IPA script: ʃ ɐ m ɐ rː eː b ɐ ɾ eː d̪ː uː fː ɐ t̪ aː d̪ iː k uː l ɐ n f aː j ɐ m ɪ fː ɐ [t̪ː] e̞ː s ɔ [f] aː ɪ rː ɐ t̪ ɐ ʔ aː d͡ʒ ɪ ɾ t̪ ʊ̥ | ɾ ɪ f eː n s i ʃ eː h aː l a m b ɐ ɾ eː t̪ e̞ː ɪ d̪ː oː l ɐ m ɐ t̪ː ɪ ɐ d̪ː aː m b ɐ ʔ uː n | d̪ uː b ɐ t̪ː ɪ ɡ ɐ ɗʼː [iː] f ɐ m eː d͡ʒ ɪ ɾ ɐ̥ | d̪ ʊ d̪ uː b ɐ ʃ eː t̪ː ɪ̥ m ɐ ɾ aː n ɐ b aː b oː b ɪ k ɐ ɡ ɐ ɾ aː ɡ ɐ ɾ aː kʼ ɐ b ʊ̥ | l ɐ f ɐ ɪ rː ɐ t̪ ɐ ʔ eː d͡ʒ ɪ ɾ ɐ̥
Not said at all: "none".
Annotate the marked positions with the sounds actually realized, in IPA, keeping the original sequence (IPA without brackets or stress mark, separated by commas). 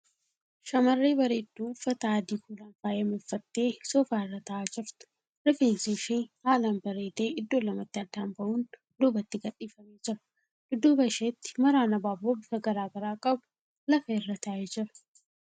t̪ː, f, iː